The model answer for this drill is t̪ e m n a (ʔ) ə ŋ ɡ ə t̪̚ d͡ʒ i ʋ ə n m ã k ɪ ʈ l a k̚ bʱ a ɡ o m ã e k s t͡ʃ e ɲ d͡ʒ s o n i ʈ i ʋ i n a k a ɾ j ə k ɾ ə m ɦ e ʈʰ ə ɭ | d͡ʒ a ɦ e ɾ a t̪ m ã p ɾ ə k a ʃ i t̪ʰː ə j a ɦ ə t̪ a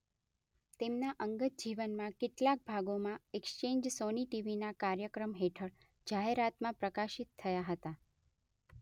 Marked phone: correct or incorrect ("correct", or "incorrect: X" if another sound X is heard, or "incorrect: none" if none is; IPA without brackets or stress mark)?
correct